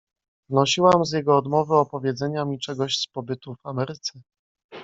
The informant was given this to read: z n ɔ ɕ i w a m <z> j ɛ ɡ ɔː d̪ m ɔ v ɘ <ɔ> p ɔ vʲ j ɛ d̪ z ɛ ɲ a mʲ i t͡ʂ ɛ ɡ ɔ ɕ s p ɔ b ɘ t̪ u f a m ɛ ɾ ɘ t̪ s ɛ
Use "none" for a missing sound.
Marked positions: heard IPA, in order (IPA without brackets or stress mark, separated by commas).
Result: z, ɔ